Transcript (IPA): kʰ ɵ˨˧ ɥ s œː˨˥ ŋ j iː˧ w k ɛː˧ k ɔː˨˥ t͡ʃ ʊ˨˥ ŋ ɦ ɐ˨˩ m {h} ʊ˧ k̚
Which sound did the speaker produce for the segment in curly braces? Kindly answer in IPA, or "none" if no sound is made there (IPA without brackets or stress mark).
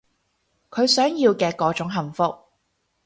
f